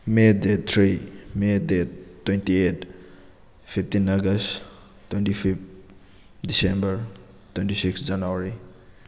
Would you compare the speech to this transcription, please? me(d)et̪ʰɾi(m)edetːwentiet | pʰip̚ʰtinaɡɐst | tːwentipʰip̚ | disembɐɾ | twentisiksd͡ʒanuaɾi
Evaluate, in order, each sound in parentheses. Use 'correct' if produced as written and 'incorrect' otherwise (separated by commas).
correct, correct